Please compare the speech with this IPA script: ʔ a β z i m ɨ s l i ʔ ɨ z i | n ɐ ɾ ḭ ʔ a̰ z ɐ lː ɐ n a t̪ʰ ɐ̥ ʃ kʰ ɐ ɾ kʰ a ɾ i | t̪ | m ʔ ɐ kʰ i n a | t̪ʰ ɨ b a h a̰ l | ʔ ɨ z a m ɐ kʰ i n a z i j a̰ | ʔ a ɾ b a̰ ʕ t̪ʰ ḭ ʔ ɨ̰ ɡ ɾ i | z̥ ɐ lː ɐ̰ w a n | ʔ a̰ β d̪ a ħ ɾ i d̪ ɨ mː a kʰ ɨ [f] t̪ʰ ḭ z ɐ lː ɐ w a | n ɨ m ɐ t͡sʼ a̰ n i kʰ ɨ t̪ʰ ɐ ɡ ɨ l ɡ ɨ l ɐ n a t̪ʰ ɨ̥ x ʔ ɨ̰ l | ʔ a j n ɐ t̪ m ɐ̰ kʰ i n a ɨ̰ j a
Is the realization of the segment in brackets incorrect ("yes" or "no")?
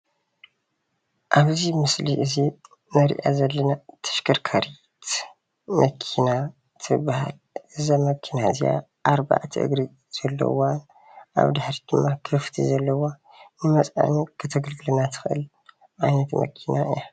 no